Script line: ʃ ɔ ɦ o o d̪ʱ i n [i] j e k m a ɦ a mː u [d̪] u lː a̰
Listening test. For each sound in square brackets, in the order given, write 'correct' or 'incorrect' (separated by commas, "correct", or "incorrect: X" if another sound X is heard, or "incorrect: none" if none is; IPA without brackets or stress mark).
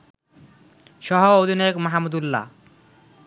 incorrect: a, correct